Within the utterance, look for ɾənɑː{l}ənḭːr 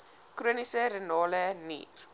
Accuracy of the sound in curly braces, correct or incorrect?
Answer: correct